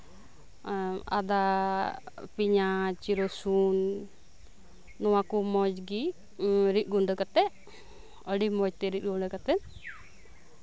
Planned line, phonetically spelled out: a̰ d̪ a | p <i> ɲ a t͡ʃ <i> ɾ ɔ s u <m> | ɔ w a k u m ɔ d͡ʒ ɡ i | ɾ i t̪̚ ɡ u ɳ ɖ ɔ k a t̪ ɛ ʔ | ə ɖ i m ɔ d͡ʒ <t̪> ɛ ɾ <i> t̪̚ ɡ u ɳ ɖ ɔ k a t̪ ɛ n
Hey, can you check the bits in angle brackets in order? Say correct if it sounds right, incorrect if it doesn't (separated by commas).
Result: correct, correct, incorrect, correct, correct